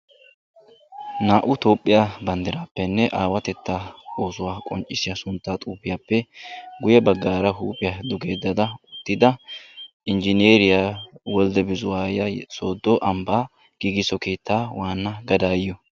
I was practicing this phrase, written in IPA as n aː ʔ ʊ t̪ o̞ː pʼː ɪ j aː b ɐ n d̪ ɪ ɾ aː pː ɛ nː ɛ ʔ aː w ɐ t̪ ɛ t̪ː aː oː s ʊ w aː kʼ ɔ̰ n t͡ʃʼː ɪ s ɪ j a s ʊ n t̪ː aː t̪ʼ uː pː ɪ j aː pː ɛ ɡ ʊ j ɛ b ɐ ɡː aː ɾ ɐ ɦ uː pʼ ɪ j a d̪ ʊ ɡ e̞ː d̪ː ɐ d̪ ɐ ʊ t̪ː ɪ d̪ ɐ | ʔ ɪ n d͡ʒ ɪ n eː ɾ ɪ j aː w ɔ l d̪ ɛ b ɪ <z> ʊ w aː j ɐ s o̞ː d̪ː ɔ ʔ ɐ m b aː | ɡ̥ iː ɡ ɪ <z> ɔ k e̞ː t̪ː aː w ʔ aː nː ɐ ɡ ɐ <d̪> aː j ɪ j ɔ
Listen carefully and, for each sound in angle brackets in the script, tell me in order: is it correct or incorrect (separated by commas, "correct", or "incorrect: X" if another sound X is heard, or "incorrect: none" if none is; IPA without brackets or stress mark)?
correct, incorrect: s, correct